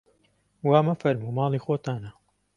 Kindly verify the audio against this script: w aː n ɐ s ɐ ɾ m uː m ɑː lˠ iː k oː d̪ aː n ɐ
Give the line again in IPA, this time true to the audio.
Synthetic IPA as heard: w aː m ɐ f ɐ ɾ m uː m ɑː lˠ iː x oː t̪ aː n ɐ